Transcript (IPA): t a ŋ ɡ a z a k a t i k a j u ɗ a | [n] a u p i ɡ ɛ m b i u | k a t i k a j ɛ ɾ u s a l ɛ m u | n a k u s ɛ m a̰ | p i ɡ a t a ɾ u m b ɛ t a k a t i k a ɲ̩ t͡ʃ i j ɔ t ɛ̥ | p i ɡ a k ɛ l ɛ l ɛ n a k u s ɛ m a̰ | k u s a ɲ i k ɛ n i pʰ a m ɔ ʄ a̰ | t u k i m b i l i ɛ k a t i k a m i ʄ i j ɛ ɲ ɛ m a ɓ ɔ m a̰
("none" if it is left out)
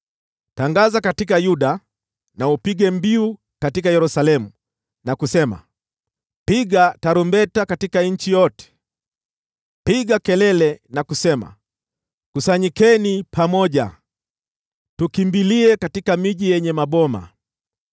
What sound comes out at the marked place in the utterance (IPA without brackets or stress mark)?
n